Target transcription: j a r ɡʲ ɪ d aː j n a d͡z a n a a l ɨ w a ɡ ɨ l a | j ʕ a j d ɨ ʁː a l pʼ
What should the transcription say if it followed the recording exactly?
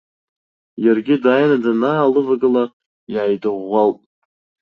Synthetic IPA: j a r ɡʲ ɪ d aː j n a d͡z a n a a l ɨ v a ɡ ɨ l a | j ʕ a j d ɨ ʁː a l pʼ